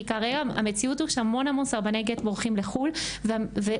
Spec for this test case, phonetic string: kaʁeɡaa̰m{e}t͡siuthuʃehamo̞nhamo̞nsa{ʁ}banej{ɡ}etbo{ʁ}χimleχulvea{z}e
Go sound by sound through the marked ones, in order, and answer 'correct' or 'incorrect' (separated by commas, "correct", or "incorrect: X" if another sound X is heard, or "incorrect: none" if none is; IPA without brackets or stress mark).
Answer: correct, correct, correct, correct, incorrect: v